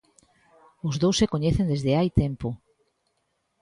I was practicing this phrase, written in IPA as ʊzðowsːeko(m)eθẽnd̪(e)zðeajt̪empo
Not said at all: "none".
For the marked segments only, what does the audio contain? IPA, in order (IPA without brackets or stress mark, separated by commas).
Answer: ɲ, e